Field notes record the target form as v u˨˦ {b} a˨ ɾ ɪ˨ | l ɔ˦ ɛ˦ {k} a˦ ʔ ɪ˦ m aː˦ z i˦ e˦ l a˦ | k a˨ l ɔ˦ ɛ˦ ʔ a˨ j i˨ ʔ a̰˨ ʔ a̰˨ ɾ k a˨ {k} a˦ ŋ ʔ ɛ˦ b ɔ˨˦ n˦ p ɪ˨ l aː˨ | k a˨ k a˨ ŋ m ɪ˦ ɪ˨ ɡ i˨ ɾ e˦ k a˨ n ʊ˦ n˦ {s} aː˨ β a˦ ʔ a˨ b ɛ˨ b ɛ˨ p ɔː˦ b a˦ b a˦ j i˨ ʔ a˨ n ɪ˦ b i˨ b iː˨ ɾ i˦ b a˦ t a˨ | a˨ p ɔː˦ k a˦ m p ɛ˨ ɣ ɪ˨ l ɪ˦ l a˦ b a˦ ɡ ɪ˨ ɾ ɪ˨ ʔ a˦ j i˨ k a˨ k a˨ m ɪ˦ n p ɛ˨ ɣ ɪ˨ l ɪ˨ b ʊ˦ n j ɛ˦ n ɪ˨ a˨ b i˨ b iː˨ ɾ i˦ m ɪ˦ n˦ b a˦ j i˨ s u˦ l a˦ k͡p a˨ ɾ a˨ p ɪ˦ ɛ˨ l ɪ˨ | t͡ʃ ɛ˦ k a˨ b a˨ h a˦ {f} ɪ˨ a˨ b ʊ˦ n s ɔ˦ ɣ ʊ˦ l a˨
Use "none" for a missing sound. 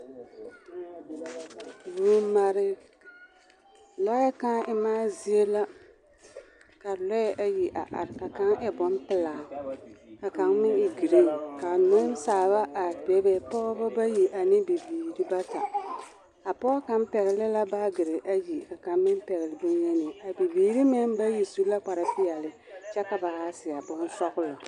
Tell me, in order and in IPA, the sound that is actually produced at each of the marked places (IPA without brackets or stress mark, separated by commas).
m, k, k, s, s